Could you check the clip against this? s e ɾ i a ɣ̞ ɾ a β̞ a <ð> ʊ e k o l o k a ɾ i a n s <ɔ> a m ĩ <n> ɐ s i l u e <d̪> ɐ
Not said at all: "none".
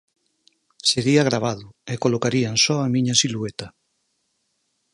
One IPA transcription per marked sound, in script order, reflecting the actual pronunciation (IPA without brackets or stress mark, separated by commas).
ð, ɔ, ɲ, t̪